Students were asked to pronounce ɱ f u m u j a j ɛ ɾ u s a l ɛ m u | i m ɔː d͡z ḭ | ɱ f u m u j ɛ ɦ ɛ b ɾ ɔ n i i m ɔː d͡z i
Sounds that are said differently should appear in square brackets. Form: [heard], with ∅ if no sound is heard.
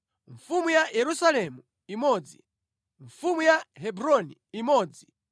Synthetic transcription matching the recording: ɱ f u m u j a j ɛ ɾ u s a l ɛ m u | i m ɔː d͡z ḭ | ɱ f u m u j [a] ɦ ɛ b ɾ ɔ n i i m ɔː d͡z i